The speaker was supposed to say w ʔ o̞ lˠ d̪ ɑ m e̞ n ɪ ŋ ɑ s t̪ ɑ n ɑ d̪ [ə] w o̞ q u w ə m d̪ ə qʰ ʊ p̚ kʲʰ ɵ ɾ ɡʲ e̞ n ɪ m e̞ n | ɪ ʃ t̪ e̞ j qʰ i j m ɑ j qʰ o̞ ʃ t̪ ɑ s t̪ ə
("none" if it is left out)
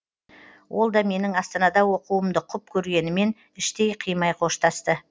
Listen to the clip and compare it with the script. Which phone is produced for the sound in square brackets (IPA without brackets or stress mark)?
ɑ